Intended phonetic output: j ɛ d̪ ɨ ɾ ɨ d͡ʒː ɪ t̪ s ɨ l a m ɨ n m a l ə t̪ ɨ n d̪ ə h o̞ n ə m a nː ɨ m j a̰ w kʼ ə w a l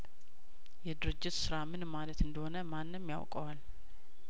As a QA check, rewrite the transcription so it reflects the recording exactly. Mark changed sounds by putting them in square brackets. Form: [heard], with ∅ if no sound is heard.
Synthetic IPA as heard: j ɛ d̪ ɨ ɾ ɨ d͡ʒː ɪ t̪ s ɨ [ɾ] a m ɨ n m a l ə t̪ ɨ n d̪ ə h o̞ n ə m a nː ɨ m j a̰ w kʼ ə w a l